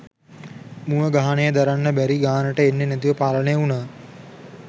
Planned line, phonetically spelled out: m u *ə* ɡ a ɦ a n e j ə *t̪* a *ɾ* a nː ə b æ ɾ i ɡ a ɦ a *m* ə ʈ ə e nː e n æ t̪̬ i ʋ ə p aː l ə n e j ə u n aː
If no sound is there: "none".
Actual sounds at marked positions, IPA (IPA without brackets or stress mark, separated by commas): ə, d̪, ɾ, n